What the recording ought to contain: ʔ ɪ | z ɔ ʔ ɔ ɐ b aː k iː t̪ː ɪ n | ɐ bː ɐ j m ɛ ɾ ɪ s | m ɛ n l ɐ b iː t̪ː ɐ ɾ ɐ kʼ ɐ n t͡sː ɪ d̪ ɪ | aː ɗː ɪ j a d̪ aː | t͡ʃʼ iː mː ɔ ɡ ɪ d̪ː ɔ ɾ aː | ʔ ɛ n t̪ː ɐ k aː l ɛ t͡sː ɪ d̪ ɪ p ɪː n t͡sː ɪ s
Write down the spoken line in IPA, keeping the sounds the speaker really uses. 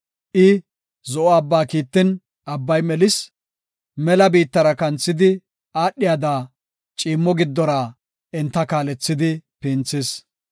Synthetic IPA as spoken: ʔ ɪ | z ɔ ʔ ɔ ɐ bː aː k iː t̪ː ɪ n | ɐ bː ɐ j m ɛ l ɪ s | m ɛ l ɐ b iː t̪ː ɐ ɾ ɐ k ɐ n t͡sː ɪ d̪ ɪ | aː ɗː ɪ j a d̪ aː | t͡ʃʼ iː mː ɔ ɡ ɪ d̪ː ɔ ɾ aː | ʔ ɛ n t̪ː ɐ k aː l ɛ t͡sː ɪ d̪ ɪ p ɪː n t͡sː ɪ s